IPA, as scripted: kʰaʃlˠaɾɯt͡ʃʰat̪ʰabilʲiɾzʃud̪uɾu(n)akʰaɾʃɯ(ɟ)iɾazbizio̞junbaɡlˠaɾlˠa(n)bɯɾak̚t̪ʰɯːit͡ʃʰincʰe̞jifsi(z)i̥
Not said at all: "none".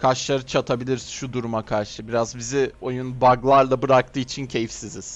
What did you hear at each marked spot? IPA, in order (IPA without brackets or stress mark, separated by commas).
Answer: m, b, none, z